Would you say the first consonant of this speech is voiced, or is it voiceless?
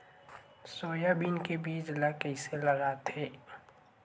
voiceless